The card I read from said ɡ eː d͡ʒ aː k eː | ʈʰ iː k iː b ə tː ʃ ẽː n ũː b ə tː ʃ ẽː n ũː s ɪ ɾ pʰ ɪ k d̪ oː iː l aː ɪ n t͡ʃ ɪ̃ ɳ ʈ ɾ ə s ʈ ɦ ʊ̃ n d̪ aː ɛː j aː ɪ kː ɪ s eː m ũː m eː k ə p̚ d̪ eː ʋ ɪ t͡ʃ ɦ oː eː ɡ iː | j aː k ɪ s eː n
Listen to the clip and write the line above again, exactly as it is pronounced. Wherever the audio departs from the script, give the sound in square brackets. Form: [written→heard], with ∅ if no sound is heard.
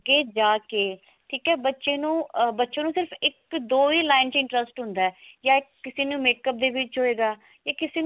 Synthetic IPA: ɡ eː d͡ʒ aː k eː | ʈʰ iː k [iː→ɛː] b ə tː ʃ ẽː n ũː b ə tː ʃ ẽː n ũː s ɪ ɾ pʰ ɪ k d̪ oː iː l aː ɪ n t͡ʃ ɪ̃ ɳ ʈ ɾ ə s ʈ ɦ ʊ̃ n d̪ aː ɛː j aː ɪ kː ɪ s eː [m→n] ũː m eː k ə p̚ d̪ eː ʋ ɪ t͡ʃ ɦ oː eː ɡ [iː→aː] | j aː k ɪ s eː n